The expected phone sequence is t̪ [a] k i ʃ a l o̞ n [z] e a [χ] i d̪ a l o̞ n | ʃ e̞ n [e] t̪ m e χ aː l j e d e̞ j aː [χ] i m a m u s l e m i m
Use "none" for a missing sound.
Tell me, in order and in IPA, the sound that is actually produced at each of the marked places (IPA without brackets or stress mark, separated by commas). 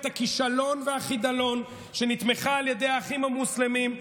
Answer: a, v, χ, i, χ